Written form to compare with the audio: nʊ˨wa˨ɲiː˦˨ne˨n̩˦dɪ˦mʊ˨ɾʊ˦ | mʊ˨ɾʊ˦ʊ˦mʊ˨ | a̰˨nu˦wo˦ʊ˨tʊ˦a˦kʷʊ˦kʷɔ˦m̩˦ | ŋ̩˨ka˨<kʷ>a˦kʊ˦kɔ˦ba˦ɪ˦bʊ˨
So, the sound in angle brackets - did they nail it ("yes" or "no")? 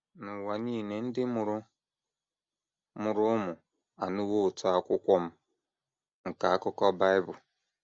no